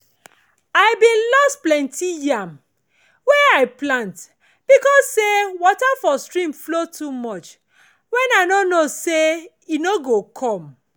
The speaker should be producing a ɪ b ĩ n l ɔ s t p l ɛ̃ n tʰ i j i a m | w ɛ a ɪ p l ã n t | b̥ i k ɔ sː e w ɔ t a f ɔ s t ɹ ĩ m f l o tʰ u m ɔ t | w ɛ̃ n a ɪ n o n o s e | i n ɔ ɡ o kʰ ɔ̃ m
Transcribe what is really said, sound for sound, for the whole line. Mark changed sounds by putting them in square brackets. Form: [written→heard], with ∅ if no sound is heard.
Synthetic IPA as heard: a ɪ b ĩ n l ɔ s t p l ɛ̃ n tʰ i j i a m | w ɛ a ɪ p l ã n t | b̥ i k ɔ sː e w ɔ t a f ɔ s t ɹ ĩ m f l o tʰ u m ɔ [t→t͡ʃ] | w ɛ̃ n a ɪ n o n o s e | i n [ɔ→o] ɡ o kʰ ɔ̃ m